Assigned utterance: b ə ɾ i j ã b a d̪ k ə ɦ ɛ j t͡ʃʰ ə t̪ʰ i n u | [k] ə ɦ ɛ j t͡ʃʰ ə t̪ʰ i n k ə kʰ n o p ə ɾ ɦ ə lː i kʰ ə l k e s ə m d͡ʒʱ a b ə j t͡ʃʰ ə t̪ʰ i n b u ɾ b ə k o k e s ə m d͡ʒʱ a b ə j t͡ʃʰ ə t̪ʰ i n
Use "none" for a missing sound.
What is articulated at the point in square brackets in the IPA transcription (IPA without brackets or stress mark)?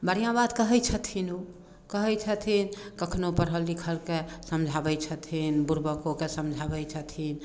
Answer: k